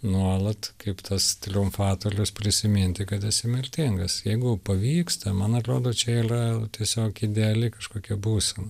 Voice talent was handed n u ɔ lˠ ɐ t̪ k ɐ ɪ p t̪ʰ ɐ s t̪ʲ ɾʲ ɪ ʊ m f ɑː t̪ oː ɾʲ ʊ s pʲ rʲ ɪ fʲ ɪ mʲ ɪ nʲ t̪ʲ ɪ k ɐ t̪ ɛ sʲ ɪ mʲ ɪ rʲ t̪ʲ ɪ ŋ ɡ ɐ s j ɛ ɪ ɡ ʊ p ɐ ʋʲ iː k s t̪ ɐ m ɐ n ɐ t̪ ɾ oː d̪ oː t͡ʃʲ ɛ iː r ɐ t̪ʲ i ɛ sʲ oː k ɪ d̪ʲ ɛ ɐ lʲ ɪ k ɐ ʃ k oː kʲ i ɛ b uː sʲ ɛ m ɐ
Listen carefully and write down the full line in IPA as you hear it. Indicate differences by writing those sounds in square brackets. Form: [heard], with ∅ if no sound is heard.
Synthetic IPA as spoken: n u ɔ lˠ ɐ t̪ k ɐ ɪ p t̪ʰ ɐ s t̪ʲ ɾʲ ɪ ʊ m f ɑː t̪ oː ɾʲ ʊ s pʲ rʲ ɪ [sʲ] ɪ mʲ ɪ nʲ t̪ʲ ɪ k ɐ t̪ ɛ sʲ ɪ mʲ ɪ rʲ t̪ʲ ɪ ŋ ɡ ɐ s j ɛ ɪ ɡ ʊ p ɐ ʋʲ iː k s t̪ ɐ m ɐ n ɐ t̪ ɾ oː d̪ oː t͡ʃʲ ɛ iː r ɐ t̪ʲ i ɛ sʲ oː k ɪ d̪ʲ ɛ ɐ lʲ ɪ k ɐ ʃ k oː kʲ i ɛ b uː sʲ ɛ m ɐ

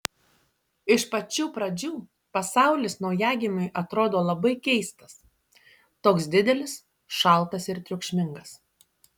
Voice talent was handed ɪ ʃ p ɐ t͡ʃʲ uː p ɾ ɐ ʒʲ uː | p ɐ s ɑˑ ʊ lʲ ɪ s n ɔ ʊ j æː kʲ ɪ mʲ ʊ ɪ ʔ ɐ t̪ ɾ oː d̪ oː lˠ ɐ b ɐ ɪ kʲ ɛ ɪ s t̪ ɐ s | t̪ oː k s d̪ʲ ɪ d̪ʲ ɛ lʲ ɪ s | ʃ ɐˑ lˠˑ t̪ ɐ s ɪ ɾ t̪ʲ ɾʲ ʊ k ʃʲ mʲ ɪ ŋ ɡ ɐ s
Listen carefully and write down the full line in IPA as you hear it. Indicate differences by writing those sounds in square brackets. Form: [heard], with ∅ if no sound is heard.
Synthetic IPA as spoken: ɪ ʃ p ɐ t͡ʃʲ uː p ɾ ɐ [d͡ʒʲ] uː | p ɐ s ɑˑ ʊ lʲ ɪ s n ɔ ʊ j æː [ɡʲ] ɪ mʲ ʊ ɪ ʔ ɐ t̪ ɾ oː d̪ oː lˠ ɐ b ɐ ɪ kʲ ɛ ɪ s t̪ ɐ s | t̪ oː k s d̪ʲ ɪ d̪ʲ ɛ lʲ ɪ s | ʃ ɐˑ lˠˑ t̪ ɐ s ɪ ɾ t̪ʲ ɾʲ ʊ k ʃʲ mʲ ɪ ŋ ɡ ɐ s

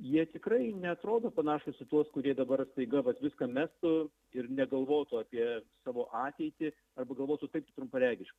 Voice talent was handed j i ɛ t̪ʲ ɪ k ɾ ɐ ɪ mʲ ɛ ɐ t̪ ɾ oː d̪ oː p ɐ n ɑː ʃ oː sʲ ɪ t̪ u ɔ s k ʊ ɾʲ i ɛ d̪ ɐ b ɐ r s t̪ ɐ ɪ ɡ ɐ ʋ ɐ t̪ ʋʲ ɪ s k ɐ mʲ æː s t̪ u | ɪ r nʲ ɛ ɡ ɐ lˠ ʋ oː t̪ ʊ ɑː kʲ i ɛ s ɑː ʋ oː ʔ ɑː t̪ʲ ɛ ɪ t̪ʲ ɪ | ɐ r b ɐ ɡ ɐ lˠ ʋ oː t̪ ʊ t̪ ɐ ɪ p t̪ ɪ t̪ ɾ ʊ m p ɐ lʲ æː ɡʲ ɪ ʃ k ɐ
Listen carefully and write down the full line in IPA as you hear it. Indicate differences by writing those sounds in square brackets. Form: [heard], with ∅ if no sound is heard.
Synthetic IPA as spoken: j i ɛ t̪ʲ ɪ k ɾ ɐ ɪ [nʲ] ɛ ɐ t̪ ɾ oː d̪ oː p ɐ n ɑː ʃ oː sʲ ɪ t̪ u ɔ s k ʊ ɾʲ i ɛ d̪ ɐ b ɐ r s t̪ ɐ ɪ ɡ ɐ ʋ ɐ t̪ ʋʲ ɪ s k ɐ mʲ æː s t̪ [ʊ] | ɪ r nʲ ɛ ɡ ɐ lˠ ʋ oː t̪ ʊ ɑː [pʲ] i ɛ s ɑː ʋ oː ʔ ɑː t̪ʲ ɛ ɪ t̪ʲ ɪ | ɐ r b ɐ ɡ ɐ lˠ ʋ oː t̪ ʊ t̪ ɐ ɪ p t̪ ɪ t̪ ɾ ʊ m p ɐ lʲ æː ɡʲ ɪ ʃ k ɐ

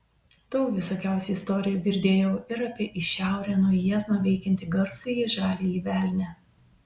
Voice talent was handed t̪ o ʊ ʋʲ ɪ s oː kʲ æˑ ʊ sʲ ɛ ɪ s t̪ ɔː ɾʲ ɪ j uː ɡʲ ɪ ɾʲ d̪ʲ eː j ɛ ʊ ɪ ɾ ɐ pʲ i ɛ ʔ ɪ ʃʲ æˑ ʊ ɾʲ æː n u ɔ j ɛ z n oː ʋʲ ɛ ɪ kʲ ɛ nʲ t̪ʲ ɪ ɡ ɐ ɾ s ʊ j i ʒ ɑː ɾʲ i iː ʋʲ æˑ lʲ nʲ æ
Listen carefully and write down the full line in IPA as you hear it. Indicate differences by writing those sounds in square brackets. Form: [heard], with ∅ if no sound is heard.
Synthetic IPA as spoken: t̪ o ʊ ʋʲ ɪ s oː kʲ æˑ ʊ sʲ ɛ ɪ s t̪ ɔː ɾʲ ɪ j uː ɡʲ ɪ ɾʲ d̪ʲ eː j ɛ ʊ ɪ ɾ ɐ pʲ i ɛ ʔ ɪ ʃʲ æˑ ʊ ɾʲ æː n u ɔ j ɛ z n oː ʋʲ ɛ ɪ kʲ ɛ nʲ t̪ʲ ɪ ɡ ɐ ɾ s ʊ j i ʒ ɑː [lʲ] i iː ʋʲ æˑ lʲ nʲ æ

